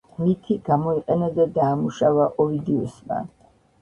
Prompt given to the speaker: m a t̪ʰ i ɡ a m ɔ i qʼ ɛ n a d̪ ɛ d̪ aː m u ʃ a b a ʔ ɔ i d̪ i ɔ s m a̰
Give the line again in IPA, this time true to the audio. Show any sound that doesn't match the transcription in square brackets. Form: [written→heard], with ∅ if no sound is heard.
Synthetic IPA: m [a→i] t̪ʰ i ɡ a m ɔ i qʼ ɛ n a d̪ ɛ d̪ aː m u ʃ a [b→v] a ʔ ɔ i d̪ i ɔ s m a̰